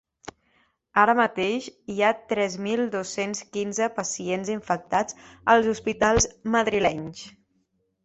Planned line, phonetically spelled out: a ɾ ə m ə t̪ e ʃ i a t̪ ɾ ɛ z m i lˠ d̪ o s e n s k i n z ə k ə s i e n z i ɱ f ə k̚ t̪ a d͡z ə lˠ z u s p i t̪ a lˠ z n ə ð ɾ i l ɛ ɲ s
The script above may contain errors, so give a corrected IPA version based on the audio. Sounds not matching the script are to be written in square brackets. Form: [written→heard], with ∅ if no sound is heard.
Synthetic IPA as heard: a ɾ ə m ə t̪ e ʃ i a t̪ ɾ ɛ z m i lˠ d̪ o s e n s k i n z ə [k→p] ə s i e n z i ɱ f ə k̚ t̪ a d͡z ə lˠ z u s p i t̪ a lˠ z [n→m] ə ð ɾ i l ɛ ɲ s

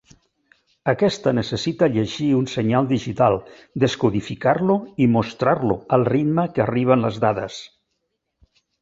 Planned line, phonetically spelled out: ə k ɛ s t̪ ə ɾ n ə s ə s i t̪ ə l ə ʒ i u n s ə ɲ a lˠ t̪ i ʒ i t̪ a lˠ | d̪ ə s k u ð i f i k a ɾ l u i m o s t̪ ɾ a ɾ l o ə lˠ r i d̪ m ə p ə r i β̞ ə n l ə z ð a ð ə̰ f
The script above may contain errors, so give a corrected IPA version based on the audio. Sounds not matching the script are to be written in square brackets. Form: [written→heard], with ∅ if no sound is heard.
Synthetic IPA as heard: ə k ɛ s t̪ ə [ɾ→∅] n ə s ə s i t̪ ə [l→ʎ] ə ʒ i u n s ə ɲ a lˠ [t̪→d̪] i ʒ i t̪ a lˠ | d̪ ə s k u ð i f i k a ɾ l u i m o s t̪ ɾ a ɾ l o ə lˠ r i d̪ m ə [p→k] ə r i β̞ ə n l ə z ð a ð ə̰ [f→s]

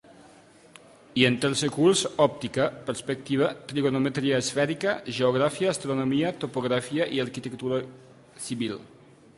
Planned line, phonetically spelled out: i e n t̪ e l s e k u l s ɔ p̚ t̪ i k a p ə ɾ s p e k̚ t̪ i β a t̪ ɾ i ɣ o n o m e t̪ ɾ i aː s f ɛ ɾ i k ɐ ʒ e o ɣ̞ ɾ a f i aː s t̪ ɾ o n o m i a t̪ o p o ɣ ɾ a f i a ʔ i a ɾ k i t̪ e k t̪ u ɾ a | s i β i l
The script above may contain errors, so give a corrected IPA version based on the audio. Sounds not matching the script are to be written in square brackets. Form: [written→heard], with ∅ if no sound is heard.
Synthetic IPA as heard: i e n t̪ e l s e k u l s ɔ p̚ t̪ i k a p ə ɾ s p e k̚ t̪ i β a t̪ ɾ i ɣ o n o m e t̪ ɾ i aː s f ɛ ɾ i k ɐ ʒ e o ɣ̞ ɾ a f i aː s t̪ ɾ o n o m i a t̪ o p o ɣ ɾ a f i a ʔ i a ɾ k i t̪ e k t̪ u ɾ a | s i β i l

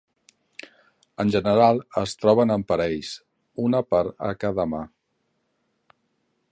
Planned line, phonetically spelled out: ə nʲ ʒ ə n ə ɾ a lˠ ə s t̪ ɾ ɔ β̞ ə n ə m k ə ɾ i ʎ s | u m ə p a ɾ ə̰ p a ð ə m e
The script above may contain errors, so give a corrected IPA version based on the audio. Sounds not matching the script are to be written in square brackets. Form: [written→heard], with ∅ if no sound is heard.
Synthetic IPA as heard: ə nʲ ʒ ə n ə ɾ a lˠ ə s t̪ ɾ ɔ β̞ ə n ə m [k→p] ə ɾ [i→ɛ] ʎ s | u [m→n] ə p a ɾ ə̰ [p→k] a ð ə m [e→a]

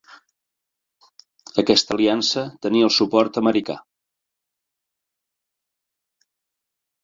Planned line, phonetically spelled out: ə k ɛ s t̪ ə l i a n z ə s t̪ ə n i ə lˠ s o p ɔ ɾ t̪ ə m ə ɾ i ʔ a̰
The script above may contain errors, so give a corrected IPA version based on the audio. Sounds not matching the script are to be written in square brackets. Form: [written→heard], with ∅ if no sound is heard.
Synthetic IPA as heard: ə k ɛ s t̪ ə l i a n [z→s] ə [s→∅] t̪ ə n i ə lˠ s [o→u] p ɔ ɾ t̪ ə m ə ɾ i [ʔ→k] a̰

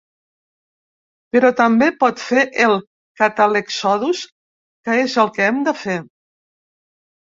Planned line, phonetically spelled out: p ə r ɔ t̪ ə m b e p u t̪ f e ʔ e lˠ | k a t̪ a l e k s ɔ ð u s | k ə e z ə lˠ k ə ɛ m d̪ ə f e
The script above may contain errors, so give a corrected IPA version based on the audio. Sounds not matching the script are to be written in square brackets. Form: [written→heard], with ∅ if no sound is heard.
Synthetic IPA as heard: p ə [r→ɾ] ɔ t̪ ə m b e p [u→ɔ] t̪ f e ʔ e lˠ | k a t̪ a l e k s ɔ ð u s | k ə e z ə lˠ k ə ɛ m d̪ ə f e

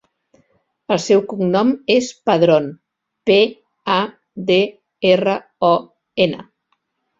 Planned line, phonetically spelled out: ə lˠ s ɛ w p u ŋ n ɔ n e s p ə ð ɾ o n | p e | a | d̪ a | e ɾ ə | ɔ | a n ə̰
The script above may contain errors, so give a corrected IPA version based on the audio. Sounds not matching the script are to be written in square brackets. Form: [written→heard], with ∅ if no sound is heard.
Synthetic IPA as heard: ə lˠ s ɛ w [p→k] u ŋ n ɔ [n→m] e s p ə ð ɾ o n | p e | a | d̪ [a→e] | e [ɾ→r] ə | ɔ | [a→e] n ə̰

